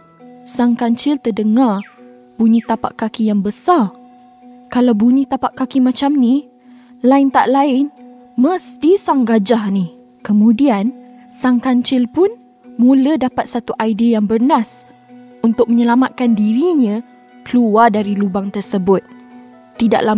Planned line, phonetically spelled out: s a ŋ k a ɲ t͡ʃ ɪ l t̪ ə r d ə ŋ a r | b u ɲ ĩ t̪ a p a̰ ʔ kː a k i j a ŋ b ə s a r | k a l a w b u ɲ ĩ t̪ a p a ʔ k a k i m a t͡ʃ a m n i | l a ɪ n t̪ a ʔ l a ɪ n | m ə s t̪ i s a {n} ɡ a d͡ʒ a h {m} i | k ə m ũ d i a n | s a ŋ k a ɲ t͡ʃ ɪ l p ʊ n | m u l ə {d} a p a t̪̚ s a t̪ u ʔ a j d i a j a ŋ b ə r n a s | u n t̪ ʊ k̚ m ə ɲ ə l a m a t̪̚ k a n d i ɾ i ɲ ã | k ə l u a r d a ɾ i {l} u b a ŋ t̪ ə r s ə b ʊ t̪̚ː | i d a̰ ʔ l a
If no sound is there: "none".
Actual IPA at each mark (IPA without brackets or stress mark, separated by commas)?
ŋ, n, d, l